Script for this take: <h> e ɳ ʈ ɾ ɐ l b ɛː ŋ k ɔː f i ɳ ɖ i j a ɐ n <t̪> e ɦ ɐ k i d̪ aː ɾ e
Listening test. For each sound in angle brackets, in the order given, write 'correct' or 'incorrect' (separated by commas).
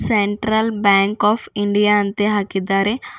incorrect, correct